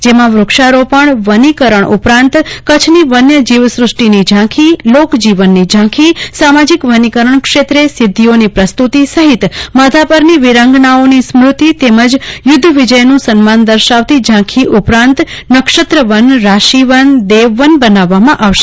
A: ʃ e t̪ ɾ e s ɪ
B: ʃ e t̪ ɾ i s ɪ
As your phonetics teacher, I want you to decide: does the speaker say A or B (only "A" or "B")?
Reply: A